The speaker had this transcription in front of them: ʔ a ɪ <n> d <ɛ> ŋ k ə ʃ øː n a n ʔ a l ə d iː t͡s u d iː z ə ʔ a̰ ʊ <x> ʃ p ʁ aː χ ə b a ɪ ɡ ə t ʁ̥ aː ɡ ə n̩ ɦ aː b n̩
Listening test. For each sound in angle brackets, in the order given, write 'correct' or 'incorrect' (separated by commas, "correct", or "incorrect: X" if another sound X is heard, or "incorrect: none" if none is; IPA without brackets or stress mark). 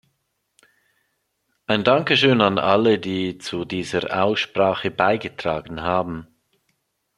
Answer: correct, incorrect: a, incorrect: s